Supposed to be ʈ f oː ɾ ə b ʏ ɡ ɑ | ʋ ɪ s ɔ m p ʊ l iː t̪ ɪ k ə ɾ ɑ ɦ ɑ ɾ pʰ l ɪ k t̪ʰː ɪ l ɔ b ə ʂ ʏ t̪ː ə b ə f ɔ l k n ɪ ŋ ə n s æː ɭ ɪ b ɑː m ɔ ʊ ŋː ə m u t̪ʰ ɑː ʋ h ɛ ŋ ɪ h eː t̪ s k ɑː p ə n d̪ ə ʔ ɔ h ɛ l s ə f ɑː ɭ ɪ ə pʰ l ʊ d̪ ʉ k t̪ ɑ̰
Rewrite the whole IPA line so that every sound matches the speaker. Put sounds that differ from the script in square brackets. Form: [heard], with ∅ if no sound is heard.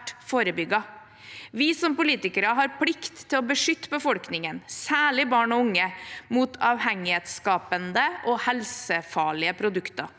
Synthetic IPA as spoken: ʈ f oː ɾ ə b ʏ ɡ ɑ | ʋ ɪ s ɔ m p ʊ l iː t̪ ɪ k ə ɾ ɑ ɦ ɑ ɾ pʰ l ɪ k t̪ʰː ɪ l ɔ b ə ʂ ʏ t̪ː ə b ə f ɔ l k n ɪ ŋ ə n s æː ɭ ɪ b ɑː [ɳ] ɔ ʊ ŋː ə m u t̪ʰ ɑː ʋ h ɛ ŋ ɪ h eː t̪ s k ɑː p ə n d̪ ə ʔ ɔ h ɛ l s ə f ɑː ɭ ɪ ə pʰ [ɾ] ʊ d̪ ʉ k t̪ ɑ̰

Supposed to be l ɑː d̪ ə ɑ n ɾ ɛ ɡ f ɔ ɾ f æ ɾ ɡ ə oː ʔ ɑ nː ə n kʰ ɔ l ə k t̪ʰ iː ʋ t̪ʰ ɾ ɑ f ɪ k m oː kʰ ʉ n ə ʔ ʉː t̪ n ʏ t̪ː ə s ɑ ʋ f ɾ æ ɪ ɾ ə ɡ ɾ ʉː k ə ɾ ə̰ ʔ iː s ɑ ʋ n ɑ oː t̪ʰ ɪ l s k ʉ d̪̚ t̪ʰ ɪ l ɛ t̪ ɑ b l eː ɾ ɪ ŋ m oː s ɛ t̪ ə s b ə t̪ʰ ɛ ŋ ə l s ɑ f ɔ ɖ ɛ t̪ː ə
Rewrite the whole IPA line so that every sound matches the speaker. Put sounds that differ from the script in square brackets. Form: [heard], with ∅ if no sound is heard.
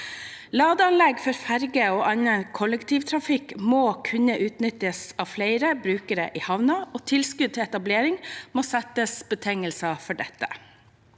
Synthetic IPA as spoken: l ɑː d̪ ə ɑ n [l] ɛ ɡ f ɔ ɾ f æ ɾ ɡ ə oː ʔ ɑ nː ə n kʰ ɔ l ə k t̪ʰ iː ʋ t̪ʰ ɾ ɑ f ɪ k m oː kʰ ʉ n ə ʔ ʉː t̪ n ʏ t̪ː ə s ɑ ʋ f [l] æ ɪ ɾ ə [b] ɾ ʉː k ə ɾ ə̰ ʔ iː [h] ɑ ʋ n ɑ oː t̪ʰ ɪ l s k ʉ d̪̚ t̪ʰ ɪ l ɛ t̪ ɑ b l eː ɾ ɪ ŋ m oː s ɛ t̪ ə s b ə t̪ʰ ɛ ŋ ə l s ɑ f ɔ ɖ ɛ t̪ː ə

